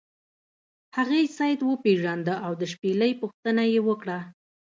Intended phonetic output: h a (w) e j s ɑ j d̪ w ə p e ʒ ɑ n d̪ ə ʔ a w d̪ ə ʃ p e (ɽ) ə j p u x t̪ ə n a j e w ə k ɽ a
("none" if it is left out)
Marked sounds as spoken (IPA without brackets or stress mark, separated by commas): ɣ, l